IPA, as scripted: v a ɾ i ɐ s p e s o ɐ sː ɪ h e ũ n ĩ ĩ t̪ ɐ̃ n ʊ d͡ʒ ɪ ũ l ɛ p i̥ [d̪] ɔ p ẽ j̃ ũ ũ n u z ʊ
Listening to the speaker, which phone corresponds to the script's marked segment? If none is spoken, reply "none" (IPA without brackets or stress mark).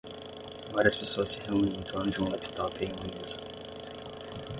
t̪